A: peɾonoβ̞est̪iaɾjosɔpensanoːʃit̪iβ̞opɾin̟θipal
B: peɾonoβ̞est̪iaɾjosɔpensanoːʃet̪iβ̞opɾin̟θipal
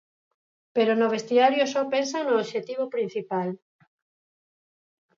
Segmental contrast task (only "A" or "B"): B